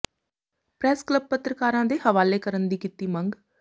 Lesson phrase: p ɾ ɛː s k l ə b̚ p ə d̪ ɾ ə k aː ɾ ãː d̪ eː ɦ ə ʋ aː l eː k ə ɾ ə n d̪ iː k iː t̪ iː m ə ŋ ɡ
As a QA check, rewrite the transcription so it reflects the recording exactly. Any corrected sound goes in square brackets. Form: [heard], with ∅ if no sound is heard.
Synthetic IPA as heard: p ɾ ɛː s k l ə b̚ p ə [t̪] ɾ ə k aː ɾ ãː d̪ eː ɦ ə ʋ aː l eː k ə ɾ ə n d̪ iː k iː t̪ iː m ə ŋ ɡ